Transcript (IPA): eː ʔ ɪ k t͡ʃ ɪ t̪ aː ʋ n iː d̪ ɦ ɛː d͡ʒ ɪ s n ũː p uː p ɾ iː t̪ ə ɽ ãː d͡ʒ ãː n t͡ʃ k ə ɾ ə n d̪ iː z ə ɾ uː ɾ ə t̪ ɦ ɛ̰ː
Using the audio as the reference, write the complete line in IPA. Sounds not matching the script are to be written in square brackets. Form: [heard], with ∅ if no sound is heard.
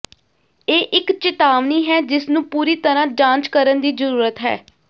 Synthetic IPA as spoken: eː ʔ ɪ k t͡ʃ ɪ t̪ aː ʋ n iː [∅] ɦ ɛː d͡ʒ ɪ s n ũː p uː [∅] ɾ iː t̪ ə [ɾ] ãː d͡ʒ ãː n t͡ʃ k ə ɾ ə n d̪ iː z ə ɾ uː ɾ ə t̪ ɦ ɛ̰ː

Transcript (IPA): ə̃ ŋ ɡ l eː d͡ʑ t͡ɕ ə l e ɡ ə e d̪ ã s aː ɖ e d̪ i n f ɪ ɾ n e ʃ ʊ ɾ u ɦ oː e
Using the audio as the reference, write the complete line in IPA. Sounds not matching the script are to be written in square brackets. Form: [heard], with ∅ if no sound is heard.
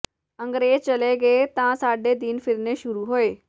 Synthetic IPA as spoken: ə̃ ŋ ɡ [ɾ] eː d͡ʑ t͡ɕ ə l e ɡ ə e [t̪] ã s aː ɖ e d̪ i n f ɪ ɾ n e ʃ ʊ ɾ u ɦ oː e

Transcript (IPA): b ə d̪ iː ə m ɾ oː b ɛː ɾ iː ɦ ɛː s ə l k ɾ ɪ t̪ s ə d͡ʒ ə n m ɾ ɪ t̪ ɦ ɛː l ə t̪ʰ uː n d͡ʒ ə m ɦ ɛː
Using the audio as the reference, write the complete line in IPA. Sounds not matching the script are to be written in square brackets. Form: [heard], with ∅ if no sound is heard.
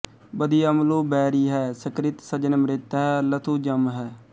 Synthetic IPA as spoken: b ə d̪ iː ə m [l] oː b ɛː ɾ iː ɦ ɛː s ə [∅] k ɾ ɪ t̪ s ə d͡ʒ ə n m ɾ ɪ t̪ ɦ ɛː l ə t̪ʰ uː [∅] d͡ʒ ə m ɦ ɛː

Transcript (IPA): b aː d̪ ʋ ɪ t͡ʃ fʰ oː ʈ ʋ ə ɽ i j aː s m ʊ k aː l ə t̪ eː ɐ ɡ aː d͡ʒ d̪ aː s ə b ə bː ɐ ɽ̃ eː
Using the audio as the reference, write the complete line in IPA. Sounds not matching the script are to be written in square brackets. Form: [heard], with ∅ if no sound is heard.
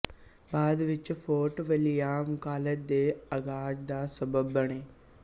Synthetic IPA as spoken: b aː d̪ ʋ ɪ t͡ʃ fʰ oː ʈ ʋ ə [l] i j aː [∅] m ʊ k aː l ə [d̪] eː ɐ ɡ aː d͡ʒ d̪ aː s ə b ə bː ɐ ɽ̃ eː

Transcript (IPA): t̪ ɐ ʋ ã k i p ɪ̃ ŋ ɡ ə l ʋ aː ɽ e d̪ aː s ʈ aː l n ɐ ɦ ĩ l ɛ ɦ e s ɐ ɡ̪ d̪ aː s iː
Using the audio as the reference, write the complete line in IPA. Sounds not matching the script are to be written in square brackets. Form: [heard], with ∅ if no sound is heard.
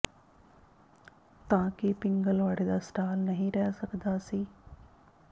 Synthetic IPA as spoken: t̪ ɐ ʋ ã k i p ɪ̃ ŋ ɡ ə l ʋ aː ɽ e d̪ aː s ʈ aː l n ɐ ɦ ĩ [ɾ] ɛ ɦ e s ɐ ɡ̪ d̪ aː s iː

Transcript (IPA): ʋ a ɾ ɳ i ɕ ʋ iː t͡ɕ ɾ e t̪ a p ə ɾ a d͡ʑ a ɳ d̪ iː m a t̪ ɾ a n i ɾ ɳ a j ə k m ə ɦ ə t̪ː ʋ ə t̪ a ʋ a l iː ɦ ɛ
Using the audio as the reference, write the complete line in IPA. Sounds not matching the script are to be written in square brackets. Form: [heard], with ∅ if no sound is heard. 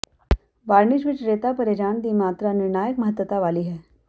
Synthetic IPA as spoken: ʋ a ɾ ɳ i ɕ ʋ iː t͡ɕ ɾ e t̪ a p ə ɾ [e] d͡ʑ a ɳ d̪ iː m a t̪ ɾ a n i ɾ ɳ a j ə k m ə ɦ ə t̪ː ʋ ə t̪ a ʋ a l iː ɦ ɛ

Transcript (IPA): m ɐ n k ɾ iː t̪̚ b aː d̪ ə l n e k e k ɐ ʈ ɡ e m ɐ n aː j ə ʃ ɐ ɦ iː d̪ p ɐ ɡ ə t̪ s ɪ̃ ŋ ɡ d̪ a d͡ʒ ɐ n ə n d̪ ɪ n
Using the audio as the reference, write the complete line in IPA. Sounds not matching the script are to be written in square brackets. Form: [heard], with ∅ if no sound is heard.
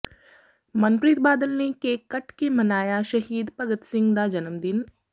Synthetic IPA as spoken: m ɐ n [p] ɾ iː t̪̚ b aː d̪ ə l n e k e k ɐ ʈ [k] e m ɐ n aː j [a] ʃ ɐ ɦ iː d̪ p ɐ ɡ ə t̪ s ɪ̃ ŋ ɡ d̪ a d͡ʒ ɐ n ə [m] d̪ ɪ n

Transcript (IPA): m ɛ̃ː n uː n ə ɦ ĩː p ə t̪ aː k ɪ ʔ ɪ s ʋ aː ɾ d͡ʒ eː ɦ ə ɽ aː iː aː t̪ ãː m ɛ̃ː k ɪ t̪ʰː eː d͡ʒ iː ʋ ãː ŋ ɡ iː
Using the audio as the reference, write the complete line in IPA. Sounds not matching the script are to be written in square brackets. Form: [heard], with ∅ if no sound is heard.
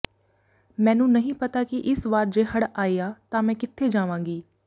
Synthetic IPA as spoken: m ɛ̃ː n [ũː] n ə ɦ ĩː p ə t̪ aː k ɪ ʔ ɪ s ʋ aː ɾ d͡ʒ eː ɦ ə ɽ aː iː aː t̪ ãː m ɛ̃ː k ɪ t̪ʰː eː d͡ʒ [aː] ʋ ãː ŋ ɡ iː

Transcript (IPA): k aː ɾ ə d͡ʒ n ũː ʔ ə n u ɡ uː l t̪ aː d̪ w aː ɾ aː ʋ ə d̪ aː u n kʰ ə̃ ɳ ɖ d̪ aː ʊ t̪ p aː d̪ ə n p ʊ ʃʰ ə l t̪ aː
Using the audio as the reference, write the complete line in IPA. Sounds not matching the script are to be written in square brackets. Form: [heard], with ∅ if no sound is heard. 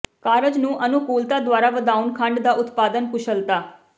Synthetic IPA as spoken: k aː ɾ ə d͡ʒ n ũː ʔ ə n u [k] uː l t̪ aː d̪ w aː ɾ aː ʋ ə d̪ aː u n kʰ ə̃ ɳ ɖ d̪ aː ʊ t̪ p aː d̪ ə n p ʊ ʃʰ ə l t̪ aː

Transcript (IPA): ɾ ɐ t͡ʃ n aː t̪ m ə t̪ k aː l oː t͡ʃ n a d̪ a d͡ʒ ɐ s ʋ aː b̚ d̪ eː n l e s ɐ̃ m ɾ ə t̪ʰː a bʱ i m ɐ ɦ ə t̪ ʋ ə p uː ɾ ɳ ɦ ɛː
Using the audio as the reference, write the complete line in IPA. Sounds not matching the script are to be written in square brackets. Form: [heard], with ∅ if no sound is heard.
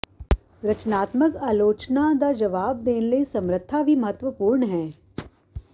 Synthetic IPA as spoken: ɾ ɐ t͡ʃ n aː t̪ m ə [∅] k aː l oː t͡ʃ n a d̪ a d͡ʒ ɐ [∅] ʋ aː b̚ d̪ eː n l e s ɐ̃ m ɾ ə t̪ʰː a bʱ i m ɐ ɦ ə t̪ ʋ ə p uː ɾ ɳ ɦ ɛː

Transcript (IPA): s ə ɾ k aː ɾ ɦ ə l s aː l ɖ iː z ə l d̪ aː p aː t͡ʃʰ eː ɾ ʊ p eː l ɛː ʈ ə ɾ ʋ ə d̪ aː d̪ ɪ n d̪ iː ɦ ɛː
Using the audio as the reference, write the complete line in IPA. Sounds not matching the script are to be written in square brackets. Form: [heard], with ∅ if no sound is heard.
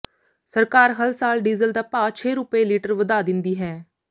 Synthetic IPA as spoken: s ə ɾ k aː ɾ ɦ ə l s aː l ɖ iː z ə l d̪ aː p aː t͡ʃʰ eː ɾ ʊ p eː l [iː] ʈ ə ɾ ʋ ə d̪ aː d̪ ɪ n d̪ iː ɦ ɛː

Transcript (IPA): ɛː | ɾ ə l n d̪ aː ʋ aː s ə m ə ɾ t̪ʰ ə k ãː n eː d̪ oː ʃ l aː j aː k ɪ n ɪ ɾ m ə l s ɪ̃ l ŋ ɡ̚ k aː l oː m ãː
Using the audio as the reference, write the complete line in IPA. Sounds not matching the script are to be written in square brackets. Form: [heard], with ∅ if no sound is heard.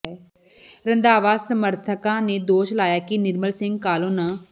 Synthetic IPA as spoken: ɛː | ɾ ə [∅] n d̪ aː ʋ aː s ə m ə ɾ t̪ʰ ə k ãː n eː d̪ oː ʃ l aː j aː k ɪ n ɪ ɾ m ə l s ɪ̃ [∅] ŋ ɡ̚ k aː l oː [n] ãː

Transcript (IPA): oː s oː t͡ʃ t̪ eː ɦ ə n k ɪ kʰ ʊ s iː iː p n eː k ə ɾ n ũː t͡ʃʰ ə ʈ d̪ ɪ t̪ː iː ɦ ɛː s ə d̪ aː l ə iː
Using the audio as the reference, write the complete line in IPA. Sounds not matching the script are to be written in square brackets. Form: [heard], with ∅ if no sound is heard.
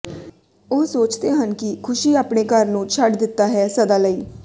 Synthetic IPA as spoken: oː s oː t͡ʃ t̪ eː ɦ ə n k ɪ kʰ ʊ [ʃ] iː [aː] p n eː k ə ɾ n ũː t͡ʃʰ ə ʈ d̪ ɪ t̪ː [aː] ɦ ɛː s ə d̪ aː l ə iː

